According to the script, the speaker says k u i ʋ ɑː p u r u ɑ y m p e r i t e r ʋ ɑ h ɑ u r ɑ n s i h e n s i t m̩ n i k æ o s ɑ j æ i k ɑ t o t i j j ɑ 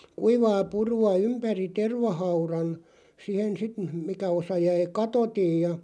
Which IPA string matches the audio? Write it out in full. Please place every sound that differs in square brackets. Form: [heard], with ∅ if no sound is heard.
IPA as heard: k u i ʋ ɑː p u r u ɑ y m p [æ] r i t e r ʋ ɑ h ɑ u r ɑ n s i h e n s i t m̩ [m] i k æ o s ɑ j æ i k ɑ t o t i j j ɑ